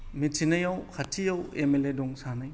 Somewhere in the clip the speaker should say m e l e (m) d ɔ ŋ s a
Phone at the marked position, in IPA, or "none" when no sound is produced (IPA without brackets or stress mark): none